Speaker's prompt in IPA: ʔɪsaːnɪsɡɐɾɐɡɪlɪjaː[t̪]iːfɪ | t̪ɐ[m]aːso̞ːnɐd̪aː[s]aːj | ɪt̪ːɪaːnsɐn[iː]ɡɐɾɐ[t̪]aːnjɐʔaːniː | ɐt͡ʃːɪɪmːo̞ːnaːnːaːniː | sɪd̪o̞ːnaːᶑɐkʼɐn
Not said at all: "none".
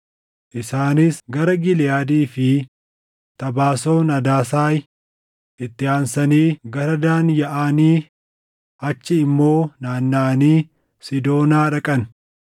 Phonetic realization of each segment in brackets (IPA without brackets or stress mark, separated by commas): d̪, b, s, iː, d̪